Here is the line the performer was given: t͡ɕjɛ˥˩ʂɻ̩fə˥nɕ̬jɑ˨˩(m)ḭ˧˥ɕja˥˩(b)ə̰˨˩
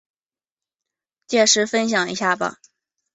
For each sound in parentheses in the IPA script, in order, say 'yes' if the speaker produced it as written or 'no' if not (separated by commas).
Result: no, yes